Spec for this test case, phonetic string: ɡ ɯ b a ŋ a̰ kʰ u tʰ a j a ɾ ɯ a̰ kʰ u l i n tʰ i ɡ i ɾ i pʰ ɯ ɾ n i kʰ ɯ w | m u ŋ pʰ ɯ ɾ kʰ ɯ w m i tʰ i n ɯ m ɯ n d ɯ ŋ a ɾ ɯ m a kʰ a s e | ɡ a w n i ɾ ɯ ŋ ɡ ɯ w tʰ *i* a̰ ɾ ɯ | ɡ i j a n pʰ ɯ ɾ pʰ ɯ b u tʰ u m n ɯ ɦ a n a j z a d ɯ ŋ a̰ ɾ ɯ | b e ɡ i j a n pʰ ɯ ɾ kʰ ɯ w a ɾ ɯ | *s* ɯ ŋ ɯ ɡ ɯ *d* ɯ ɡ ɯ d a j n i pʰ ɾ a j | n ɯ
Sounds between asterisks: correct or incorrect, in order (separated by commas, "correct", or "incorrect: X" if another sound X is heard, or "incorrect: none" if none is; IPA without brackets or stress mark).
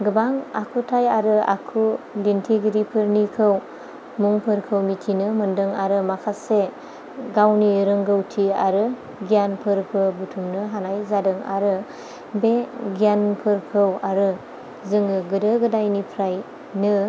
correct, incorrect: z, correct